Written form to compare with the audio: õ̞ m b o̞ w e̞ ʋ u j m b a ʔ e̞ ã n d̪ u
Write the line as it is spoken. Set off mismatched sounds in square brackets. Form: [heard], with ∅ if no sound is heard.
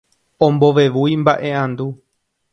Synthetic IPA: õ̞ m b o̞ [ʋ] e̞ ʋ u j m b a ʔ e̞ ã n d̪ u